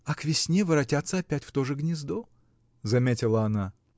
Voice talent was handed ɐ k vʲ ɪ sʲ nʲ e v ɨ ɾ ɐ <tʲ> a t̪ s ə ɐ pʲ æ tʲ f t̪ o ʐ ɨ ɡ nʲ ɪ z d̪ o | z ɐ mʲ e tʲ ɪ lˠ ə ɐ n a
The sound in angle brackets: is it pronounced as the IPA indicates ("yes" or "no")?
yes